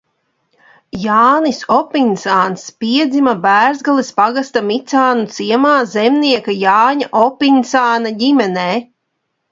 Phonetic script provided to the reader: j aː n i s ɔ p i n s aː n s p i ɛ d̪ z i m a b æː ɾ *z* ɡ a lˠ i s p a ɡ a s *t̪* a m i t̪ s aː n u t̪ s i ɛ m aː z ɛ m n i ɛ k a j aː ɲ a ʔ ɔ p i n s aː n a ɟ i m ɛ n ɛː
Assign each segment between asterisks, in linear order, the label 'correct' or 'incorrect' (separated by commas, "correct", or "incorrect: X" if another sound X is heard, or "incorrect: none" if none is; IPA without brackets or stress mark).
correct, correct